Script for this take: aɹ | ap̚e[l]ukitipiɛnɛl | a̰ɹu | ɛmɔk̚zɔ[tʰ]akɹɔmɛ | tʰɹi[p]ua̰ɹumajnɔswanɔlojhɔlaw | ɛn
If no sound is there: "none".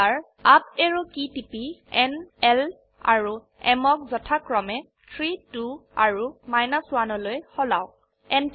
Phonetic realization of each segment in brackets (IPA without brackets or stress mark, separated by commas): ɹ, tʰ, t